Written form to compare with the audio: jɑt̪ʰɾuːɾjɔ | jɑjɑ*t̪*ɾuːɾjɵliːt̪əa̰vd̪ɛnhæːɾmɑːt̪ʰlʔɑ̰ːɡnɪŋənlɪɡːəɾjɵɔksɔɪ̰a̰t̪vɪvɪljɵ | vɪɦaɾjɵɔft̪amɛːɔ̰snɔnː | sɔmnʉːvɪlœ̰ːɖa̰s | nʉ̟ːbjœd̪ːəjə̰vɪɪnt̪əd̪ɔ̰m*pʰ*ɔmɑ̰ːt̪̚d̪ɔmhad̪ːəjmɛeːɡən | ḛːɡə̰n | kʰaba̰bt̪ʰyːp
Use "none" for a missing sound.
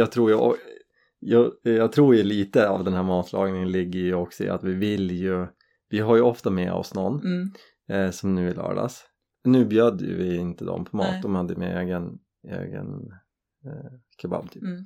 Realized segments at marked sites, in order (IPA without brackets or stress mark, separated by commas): t̪ʰ, pʰ